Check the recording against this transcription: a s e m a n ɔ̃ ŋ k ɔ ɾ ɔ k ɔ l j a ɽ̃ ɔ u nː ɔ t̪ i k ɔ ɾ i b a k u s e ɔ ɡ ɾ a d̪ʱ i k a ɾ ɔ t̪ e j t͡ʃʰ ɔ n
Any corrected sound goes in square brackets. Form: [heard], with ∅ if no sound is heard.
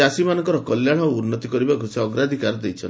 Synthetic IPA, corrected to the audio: a s [i] m a n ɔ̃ ŋ k ɔ ɾ ɔ k ɔ l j a ɽ̃ ɔ u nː ɔ t̪ i k ɔ ɾ i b a k u s e ɔ ɡ ɾ a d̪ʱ i k a ɾ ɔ [d̪] e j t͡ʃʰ ɔ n